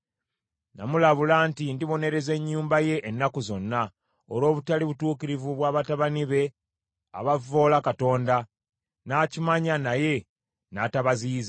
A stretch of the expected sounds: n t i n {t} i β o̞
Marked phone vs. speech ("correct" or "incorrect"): incorrect